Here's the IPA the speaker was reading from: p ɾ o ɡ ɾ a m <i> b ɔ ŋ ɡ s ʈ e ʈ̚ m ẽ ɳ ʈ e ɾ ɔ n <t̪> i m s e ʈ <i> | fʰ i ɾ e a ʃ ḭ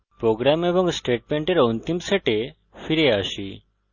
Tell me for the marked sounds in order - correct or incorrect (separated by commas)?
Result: incorrect, correct, incorrect